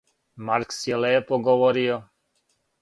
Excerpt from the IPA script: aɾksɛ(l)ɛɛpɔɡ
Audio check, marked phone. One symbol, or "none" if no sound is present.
l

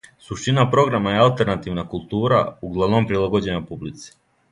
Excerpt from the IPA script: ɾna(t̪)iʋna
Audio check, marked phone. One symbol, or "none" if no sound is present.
t̪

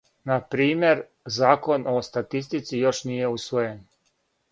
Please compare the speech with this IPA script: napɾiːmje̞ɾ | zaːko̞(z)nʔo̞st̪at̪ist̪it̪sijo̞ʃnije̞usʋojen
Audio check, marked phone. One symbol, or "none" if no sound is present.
none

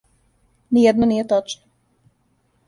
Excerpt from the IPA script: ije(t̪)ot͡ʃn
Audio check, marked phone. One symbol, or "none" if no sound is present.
t̪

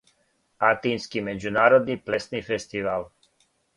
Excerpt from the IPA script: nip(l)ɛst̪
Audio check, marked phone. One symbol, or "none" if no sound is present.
l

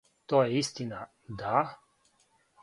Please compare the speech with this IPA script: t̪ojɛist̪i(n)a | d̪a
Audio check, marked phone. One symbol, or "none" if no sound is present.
n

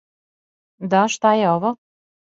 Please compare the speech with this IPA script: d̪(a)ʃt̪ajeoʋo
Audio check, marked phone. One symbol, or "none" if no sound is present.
a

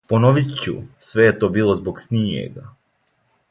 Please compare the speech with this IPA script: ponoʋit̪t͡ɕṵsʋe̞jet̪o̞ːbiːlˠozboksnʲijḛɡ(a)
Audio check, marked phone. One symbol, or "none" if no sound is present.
a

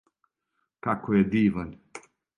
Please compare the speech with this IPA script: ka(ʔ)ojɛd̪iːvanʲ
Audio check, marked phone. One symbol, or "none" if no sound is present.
k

